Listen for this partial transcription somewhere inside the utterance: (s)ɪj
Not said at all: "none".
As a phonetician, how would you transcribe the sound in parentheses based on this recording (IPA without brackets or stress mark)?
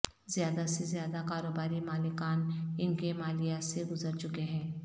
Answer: z